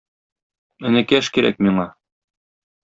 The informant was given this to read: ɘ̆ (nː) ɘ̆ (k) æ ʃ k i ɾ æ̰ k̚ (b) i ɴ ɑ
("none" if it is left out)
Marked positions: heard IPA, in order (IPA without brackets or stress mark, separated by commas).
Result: n, k, m